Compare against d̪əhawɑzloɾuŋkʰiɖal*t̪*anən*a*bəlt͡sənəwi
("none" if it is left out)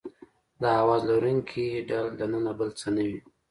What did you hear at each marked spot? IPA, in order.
d̪, a

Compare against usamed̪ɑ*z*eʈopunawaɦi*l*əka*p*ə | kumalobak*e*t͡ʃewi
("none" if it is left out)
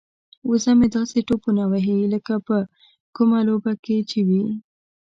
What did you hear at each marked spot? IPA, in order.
s, l, p, e

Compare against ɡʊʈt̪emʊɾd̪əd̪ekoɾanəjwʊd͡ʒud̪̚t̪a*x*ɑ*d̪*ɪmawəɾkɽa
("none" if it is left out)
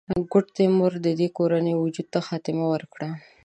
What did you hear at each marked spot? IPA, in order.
x, t̪

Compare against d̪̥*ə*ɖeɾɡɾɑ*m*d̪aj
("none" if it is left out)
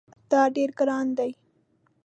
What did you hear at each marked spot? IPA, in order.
ɑ, n

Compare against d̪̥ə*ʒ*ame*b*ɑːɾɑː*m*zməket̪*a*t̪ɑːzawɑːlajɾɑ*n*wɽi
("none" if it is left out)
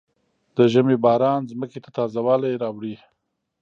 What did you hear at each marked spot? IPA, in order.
ʒ, b, n, a, none

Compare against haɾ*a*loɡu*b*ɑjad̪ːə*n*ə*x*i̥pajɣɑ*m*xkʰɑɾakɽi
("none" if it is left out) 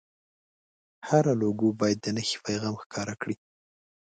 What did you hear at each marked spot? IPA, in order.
a, b, n, x, m

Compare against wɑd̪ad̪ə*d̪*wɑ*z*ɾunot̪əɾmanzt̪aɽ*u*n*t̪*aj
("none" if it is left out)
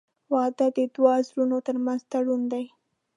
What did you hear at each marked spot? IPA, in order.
d̪, z, u, d̪

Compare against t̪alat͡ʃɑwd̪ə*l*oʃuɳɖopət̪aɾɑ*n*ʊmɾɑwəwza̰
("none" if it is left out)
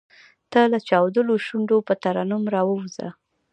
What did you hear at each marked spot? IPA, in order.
l, n

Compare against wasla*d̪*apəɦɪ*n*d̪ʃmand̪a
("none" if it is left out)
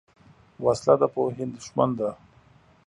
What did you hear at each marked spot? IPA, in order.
d̪, n

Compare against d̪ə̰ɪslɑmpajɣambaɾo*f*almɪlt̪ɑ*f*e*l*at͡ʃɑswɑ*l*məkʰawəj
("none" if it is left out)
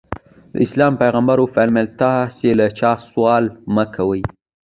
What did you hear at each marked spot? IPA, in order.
f, s, l, l

